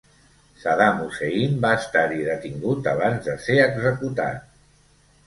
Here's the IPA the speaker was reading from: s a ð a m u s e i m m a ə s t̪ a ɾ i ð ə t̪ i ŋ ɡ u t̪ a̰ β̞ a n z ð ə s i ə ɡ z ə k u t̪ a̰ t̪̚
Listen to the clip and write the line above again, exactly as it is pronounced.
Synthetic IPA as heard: s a ð a m u s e i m b a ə s t̪ a ɾ i ð ə t̪ i ŋ ɡ u t̪ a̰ β̞ a n z ð ə s e ə ɡ z ə k u t̪ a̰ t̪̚